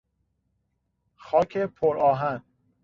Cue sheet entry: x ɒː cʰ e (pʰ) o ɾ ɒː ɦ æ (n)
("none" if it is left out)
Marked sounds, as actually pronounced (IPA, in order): pʰ, n

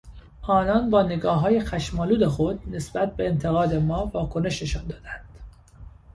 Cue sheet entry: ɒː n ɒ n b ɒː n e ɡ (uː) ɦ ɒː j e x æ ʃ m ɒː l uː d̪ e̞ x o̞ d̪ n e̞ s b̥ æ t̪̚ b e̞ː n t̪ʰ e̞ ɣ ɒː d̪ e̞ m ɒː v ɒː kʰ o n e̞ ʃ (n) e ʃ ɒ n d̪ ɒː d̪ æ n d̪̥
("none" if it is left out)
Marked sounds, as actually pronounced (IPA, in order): ɒː, n

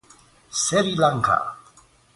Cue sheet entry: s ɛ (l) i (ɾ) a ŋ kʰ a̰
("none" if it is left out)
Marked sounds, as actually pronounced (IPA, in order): ɾ, l

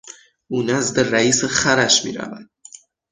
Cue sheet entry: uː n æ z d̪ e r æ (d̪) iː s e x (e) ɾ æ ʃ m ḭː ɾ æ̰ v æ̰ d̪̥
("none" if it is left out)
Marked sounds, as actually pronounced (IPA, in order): none, æ

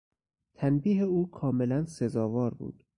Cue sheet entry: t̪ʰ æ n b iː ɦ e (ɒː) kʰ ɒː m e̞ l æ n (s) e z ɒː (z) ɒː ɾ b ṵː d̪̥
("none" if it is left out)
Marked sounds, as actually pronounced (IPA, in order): uː, s, v

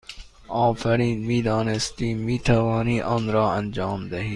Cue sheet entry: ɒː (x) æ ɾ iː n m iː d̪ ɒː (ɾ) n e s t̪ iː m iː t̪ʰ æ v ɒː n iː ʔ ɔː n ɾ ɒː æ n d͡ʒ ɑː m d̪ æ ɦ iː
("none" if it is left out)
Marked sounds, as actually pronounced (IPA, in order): f, none

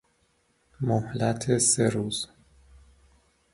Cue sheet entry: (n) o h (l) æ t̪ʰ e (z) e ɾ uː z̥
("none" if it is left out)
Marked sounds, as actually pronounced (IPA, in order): m, l, s

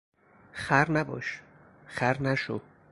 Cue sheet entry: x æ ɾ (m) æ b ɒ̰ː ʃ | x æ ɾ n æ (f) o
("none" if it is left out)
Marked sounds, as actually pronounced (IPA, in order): n, ʃ

